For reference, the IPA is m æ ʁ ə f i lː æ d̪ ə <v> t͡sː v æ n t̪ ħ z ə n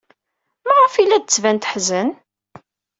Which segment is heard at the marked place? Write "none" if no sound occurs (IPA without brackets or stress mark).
none